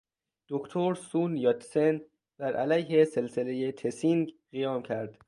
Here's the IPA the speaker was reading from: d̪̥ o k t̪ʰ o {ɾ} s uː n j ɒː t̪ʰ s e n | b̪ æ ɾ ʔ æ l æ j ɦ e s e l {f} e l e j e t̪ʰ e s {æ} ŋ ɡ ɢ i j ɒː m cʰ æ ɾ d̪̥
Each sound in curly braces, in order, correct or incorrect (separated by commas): correct, incorrect, incorrect